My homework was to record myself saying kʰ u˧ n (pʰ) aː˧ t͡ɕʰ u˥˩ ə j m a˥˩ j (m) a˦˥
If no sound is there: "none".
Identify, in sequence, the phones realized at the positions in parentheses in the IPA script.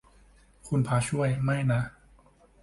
pʰ, n

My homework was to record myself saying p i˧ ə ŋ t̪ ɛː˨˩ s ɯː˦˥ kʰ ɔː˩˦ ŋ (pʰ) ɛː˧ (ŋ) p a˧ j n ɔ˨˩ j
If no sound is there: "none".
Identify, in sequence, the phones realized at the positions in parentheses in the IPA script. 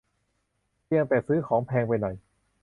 pʰ, ŋ

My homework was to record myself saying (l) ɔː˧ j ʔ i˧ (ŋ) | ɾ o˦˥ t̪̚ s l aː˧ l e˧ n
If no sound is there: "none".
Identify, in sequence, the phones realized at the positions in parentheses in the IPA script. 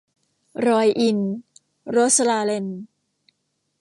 ɾ, n

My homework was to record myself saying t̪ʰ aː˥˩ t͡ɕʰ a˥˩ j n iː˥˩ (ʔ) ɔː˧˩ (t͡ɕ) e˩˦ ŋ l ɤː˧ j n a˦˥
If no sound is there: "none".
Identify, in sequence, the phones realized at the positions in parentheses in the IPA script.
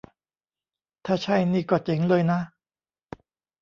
k, t͡ɕ

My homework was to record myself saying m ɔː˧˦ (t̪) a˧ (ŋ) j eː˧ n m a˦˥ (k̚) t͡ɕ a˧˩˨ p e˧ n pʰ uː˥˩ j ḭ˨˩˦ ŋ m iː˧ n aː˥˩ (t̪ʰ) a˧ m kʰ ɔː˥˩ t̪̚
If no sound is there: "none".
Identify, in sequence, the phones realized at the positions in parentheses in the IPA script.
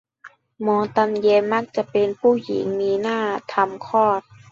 t̪, m, k̚, t̪ʰ

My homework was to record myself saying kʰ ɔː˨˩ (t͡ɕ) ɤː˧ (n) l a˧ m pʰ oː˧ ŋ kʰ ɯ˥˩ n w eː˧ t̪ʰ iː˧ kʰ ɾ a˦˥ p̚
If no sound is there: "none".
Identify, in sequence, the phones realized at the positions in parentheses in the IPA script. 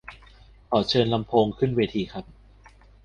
t͡ɕʰ, n

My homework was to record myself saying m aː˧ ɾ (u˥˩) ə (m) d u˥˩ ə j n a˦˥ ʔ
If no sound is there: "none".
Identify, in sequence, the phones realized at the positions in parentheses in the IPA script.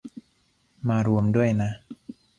u˧, m

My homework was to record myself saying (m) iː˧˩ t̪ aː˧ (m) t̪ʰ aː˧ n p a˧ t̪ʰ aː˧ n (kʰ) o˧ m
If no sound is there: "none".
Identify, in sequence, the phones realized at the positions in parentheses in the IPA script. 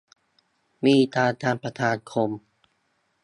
m, none, kʰ

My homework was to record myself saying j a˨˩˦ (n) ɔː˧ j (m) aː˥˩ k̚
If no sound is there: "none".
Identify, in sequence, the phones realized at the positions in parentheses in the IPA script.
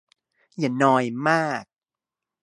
n, m

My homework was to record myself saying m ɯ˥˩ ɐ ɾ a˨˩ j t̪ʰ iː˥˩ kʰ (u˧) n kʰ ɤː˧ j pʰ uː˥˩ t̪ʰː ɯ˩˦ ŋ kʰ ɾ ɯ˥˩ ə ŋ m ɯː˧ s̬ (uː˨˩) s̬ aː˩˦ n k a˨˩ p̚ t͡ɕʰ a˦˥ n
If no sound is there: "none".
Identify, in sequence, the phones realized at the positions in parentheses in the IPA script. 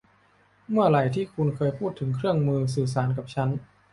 u˧, ɯː˨˩

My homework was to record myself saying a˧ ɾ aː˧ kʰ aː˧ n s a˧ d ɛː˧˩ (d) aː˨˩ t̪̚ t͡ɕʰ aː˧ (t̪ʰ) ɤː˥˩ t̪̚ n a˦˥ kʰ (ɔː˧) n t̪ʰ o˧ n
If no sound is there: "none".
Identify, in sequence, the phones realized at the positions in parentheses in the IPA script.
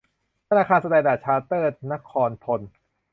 d, t̪, ɔː˧

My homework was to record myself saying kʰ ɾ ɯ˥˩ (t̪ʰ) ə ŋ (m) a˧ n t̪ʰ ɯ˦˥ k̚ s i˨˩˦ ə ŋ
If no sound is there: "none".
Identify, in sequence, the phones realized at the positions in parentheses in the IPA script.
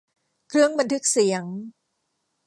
none, b

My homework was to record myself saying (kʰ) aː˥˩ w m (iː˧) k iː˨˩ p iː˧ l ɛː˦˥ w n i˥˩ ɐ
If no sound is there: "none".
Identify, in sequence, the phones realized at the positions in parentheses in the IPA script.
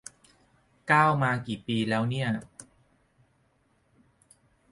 k, aː˧

